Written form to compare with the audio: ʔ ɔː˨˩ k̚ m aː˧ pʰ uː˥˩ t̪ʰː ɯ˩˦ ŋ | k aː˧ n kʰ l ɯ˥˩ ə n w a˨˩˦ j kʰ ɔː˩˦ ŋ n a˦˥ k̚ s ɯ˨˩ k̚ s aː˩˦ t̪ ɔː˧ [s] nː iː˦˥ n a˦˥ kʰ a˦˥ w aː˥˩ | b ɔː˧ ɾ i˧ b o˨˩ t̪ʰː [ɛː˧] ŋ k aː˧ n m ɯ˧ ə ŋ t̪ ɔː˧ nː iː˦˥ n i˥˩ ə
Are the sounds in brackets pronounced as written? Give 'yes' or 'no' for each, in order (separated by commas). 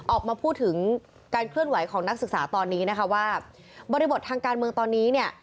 no, no